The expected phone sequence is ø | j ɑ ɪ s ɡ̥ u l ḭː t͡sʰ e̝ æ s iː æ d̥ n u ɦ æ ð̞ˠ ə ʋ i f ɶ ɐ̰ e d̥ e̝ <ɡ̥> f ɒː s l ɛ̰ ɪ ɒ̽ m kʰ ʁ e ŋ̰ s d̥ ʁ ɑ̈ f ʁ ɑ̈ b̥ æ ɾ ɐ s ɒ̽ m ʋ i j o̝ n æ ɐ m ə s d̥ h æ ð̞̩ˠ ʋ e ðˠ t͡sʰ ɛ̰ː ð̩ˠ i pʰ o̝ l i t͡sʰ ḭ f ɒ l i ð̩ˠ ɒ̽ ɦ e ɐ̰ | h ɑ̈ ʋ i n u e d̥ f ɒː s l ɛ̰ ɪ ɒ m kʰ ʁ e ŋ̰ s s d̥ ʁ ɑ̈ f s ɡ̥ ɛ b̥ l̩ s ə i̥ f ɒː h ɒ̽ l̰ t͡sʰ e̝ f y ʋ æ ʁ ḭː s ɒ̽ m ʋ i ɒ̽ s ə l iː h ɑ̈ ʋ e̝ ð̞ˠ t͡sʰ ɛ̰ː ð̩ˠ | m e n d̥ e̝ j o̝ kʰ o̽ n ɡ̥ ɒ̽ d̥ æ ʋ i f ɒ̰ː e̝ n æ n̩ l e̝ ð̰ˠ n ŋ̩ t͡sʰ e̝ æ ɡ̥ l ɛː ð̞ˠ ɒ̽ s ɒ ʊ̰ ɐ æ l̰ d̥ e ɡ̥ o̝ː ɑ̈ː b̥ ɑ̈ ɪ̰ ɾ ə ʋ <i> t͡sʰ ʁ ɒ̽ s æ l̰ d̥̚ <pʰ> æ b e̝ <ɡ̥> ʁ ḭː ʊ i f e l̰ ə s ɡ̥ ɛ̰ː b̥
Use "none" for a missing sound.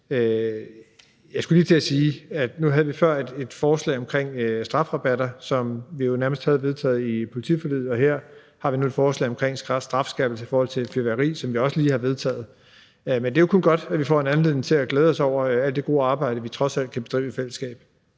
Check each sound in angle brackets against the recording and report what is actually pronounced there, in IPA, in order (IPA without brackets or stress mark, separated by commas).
d̥, i, kʰ, d̥